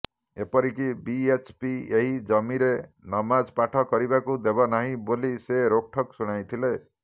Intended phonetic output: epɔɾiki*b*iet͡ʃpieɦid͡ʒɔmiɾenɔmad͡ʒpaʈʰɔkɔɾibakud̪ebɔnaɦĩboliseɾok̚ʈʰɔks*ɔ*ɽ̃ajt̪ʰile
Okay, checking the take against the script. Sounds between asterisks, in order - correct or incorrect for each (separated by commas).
correct, incorrect